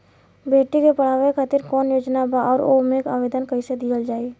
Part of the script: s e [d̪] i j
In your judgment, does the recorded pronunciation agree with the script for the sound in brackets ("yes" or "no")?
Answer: yes